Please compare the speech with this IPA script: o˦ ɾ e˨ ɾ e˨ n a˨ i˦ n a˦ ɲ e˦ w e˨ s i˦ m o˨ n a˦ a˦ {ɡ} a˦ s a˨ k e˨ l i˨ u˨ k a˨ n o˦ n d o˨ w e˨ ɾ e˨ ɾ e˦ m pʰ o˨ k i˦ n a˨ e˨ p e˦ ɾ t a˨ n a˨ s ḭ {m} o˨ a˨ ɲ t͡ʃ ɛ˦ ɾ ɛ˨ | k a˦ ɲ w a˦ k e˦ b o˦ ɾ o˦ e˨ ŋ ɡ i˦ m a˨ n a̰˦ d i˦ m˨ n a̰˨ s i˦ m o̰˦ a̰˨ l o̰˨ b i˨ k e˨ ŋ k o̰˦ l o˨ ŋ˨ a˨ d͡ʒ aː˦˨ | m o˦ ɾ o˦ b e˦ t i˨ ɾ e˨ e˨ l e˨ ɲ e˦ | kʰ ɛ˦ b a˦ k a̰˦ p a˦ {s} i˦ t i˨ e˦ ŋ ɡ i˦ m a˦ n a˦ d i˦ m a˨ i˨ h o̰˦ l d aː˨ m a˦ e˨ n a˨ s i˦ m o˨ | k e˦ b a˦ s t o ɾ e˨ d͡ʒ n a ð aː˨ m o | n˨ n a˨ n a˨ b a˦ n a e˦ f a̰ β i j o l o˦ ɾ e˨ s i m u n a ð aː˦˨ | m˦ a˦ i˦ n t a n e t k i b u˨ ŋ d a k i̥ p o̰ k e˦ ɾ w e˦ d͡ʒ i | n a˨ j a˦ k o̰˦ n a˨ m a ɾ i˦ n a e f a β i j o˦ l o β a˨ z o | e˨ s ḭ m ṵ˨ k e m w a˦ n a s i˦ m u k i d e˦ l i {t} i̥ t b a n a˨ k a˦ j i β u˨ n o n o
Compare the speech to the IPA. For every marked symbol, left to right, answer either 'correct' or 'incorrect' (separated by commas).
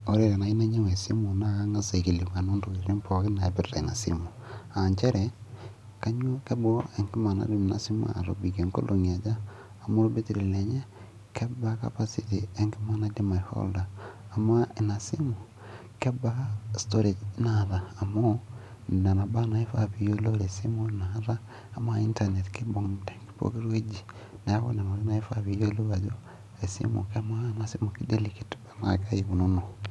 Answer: incorrect, correct, correct, incorrect